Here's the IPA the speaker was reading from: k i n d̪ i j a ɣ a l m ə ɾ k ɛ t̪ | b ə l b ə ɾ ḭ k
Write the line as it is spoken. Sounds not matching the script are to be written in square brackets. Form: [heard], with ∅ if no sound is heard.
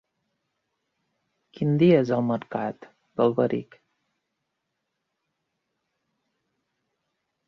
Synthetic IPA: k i n d̪ i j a [z] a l m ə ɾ k [a] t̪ | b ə l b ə ɾ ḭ k

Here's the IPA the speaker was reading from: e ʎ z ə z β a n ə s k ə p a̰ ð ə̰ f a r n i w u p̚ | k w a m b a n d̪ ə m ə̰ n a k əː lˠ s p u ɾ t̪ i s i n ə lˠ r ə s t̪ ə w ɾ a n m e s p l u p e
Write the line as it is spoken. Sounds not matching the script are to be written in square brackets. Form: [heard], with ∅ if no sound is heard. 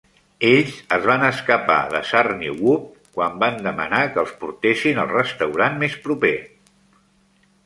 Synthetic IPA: e ʎ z ə z β a n ə s k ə p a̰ ð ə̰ [s] a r n i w u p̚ | k w a m b a n d̪ ə m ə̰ n a k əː lˠ s p u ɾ t̪ [e] s i n ə lˠ r ə s t̪ ə w ɾ a n m e s p [ɾ] u p e

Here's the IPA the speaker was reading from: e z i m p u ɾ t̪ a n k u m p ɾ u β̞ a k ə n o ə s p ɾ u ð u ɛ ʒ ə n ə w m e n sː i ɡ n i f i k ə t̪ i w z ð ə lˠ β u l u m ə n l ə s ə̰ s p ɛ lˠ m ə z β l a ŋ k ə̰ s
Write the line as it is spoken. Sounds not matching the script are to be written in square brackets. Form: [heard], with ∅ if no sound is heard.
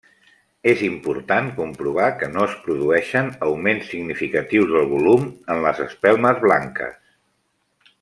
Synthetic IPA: e z i m p u ɾ t̪ a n k u m p ɾ u β̞ a k ə n o ə s p ɾ u ð u ɛ [ʃ] ə n ə w m e n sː i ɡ n i f i k ə t̪ i w z ð ə lˠ β u l u m ə n l ə [z] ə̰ s p ɛ lˠ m ə z β l a ŋ k ə̰ s

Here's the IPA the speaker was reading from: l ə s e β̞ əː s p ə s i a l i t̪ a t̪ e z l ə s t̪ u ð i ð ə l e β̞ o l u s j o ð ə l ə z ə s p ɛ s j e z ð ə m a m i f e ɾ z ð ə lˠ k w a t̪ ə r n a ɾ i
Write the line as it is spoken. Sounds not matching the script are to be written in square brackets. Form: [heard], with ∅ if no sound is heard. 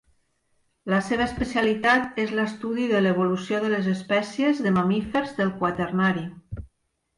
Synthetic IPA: l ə s e β̞ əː s p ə s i a l i t̪ a t̪ e z l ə s t̪ u ð i ð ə l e β̞ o l u s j o ð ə l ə z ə s p ɛ s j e z ð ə m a m i f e ɾ z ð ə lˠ k w a t̪ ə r n a ɾ i

